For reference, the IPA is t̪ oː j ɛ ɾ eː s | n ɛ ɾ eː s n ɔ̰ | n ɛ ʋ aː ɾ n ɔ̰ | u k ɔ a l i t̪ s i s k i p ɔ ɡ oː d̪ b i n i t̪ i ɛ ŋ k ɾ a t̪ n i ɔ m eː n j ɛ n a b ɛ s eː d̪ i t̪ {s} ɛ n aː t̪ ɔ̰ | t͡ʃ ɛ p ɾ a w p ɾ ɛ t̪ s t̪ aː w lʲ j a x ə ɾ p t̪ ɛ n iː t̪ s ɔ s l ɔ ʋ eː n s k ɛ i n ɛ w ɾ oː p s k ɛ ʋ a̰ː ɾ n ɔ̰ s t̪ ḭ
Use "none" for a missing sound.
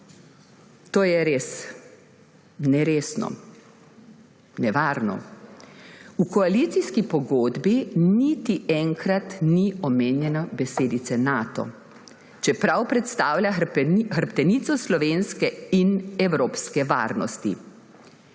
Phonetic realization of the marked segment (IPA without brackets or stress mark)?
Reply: s